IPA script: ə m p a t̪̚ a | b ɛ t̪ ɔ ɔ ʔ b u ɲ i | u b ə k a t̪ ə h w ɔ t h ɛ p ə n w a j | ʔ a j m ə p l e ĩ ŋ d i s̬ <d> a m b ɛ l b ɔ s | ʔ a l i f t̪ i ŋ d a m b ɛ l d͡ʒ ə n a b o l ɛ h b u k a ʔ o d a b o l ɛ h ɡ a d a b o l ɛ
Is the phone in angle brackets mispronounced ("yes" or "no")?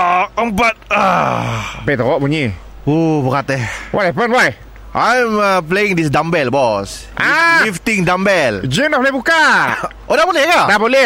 no